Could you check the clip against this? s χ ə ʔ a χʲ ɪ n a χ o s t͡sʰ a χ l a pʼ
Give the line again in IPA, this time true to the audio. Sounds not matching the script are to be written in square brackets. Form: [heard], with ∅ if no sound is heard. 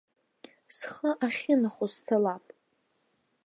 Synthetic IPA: s χ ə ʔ a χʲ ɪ n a χ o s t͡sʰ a [∅] l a pʼ